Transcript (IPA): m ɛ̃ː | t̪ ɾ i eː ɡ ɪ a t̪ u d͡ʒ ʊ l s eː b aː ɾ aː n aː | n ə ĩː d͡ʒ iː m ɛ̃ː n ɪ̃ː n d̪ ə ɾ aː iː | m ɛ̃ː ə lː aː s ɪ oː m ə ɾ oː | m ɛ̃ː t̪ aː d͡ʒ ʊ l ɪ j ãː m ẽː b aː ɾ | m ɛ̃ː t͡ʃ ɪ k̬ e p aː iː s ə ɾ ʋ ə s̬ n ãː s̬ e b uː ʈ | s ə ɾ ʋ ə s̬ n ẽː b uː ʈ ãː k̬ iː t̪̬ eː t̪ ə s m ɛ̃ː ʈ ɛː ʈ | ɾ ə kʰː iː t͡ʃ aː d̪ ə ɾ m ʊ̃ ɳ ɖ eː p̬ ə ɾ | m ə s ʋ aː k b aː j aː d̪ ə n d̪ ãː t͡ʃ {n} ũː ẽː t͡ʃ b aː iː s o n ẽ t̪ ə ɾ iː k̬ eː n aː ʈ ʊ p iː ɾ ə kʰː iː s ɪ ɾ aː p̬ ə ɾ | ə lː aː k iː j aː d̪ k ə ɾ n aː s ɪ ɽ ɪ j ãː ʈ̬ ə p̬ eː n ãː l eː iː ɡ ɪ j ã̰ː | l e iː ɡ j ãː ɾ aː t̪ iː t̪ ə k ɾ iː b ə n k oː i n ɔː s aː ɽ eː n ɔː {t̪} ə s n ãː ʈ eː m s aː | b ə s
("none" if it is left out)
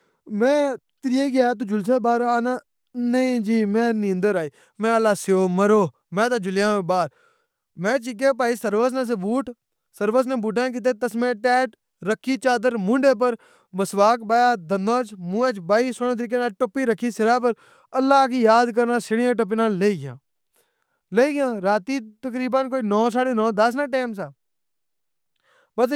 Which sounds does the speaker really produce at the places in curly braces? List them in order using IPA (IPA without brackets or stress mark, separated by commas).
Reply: m, d̪